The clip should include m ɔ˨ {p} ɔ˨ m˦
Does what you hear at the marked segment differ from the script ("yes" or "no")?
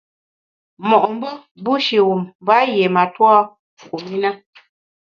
yes